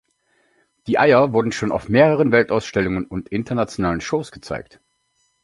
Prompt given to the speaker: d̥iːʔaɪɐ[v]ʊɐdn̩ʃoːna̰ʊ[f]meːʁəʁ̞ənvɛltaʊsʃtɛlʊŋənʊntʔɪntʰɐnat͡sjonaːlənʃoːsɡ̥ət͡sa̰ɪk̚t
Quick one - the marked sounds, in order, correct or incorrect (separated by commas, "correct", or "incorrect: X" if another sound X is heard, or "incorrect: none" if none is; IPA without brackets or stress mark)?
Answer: correct, correct